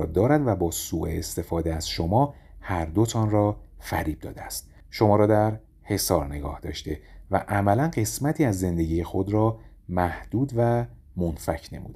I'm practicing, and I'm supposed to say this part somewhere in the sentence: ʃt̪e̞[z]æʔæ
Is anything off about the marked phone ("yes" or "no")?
yes